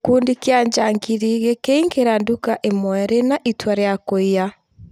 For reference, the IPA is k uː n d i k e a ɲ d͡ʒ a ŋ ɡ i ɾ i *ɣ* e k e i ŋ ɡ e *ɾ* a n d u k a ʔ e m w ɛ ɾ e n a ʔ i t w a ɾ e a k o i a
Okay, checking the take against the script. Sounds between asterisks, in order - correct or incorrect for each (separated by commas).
correct, correct